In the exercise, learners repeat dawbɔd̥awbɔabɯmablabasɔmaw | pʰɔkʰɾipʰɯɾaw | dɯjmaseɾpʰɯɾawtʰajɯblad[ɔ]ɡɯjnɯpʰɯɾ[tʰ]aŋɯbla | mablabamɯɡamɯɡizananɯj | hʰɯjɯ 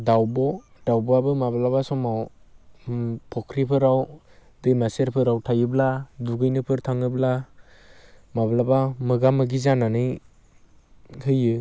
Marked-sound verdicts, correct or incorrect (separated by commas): incorrect, correct